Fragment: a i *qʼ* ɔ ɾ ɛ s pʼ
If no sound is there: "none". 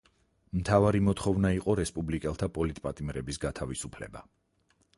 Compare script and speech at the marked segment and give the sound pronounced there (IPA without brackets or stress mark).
qʼ